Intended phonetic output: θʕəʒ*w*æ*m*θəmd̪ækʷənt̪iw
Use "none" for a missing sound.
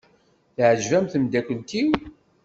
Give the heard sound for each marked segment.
v, m

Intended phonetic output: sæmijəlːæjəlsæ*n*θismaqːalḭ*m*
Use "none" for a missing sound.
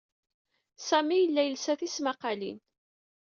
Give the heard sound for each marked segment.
none, n

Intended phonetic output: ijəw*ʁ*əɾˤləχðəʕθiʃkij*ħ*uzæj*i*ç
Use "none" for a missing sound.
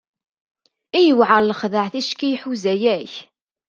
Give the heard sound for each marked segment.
ʕ, ħ, æ

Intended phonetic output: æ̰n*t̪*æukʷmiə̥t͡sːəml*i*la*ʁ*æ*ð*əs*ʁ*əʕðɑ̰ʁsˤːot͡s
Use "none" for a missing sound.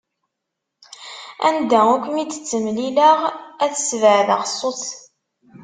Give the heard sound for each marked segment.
d̪, i, ʁ, θ, v

